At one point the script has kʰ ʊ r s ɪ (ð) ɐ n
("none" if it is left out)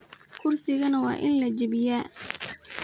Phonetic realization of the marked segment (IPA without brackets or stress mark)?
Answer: ɣ